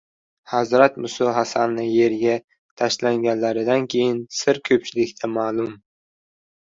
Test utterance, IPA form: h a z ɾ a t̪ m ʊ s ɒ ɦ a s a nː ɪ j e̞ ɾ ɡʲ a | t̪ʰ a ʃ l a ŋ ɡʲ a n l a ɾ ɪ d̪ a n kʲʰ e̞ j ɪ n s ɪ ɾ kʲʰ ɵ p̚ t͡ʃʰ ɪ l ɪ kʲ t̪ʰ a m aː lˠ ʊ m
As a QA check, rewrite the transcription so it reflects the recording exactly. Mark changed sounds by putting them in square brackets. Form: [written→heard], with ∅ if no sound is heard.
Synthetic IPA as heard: h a z ɾ a t̪ m ʊ s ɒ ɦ a s a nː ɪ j e̞ ɾ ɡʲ a | t̪ʰ a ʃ l a ŋ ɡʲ a n l a ɾ ɪ d̪ a n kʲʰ e̞ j ɪ n s ɪ ɾ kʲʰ ɵ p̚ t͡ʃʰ ɪ l ɪ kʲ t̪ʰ a m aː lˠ ʊ m